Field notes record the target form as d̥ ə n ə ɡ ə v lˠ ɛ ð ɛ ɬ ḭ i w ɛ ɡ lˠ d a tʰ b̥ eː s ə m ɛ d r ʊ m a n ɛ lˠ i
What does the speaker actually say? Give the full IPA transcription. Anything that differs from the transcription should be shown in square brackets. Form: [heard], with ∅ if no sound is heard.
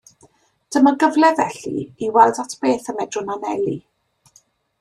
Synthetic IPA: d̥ ə [m] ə ɡ ə v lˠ ɛ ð ɛ ɬ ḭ i w ɛ [∅] lˠ d a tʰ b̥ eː [θ] ə m ɛ d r ʊ [n] a n ɛ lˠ i